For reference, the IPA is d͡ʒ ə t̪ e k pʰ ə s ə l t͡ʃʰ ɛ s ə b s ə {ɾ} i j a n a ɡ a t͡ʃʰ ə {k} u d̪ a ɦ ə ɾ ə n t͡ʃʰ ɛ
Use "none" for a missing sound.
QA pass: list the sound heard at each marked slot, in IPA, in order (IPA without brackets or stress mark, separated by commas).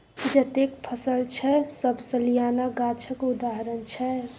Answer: l, k